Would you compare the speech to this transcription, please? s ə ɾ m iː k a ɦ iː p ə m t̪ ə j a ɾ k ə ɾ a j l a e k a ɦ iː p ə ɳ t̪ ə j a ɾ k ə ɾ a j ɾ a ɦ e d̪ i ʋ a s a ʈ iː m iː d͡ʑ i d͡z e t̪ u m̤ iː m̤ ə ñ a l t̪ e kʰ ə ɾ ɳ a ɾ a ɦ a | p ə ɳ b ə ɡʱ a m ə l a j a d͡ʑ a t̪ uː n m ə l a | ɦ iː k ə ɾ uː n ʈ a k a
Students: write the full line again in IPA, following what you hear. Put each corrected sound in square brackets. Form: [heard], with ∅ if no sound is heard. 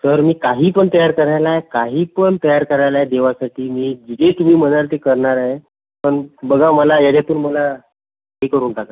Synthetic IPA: s ə ɾ m iː k a ɦ iː p ə [ɳ] t̪ ə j a ɾ k ə ɾ a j l a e k a ɦ iː p ə ɳ t̪ ə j a ɾ k ə ɾ a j [l] a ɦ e d̪ [e] ʋ a s a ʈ iː m iː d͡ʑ i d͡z e t̪ u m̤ iː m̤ ə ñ a l t̪ e [k] ə ɾ ɳ a ɾ a ɦ [e] | p ə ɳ b ə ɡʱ a m ə l a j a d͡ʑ a t̪ uː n m ə l a | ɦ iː k ə ɾ uː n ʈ a k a